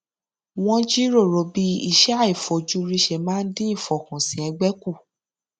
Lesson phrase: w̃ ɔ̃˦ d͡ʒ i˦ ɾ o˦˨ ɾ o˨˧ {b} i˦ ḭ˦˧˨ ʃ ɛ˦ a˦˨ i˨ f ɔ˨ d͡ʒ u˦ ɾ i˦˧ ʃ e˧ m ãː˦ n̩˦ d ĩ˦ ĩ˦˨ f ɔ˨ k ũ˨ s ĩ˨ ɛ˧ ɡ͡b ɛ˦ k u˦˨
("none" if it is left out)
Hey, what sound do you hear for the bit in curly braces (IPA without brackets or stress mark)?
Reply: b